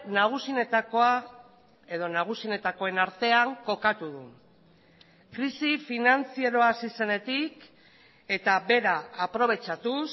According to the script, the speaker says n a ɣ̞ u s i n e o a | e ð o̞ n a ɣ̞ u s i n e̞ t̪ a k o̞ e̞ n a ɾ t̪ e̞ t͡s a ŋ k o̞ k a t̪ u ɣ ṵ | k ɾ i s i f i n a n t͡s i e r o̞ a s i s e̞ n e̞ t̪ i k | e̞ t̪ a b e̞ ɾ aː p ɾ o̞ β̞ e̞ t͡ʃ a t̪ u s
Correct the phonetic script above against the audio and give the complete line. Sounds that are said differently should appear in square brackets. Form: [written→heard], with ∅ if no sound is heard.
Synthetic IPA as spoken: n a ɣ̞ u s i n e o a | e ð o̞ n a ɣ̞ u s i n e̞ t̪ a k o̞ e̞ n a ɾ t̪ e̞ [t͡s→∅] a ŋ k o̞ k a t̪ u [ɣ→ð] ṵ | k ɾ i s i f i n a n t͡s i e [r→ɾ] o̞ a s i s e̞ n e̞ t̪ i k | e̞ t̪ a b e̞ ɾ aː p ɾ o̞ β̞ e̞ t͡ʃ a t̪ u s